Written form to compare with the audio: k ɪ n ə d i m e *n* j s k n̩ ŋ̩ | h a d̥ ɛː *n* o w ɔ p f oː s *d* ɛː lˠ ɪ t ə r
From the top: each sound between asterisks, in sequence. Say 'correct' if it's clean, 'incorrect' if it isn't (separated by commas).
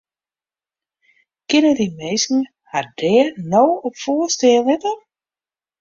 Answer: incorrect, correct, incorrect